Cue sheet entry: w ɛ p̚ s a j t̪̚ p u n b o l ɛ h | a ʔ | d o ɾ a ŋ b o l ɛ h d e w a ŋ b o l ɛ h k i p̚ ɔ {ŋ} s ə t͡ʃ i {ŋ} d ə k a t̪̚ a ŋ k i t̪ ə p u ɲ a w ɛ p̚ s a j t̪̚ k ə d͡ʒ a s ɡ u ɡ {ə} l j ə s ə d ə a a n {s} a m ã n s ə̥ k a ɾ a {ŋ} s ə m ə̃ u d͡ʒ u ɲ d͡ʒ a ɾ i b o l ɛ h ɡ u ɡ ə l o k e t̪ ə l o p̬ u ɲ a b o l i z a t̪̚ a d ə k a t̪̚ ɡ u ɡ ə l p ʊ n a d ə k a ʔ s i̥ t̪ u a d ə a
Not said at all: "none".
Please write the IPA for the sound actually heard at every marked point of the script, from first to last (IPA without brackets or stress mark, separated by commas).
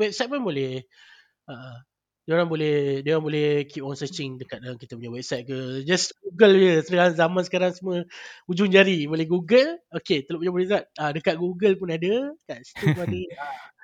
n, ŋ, ə, z, ŋ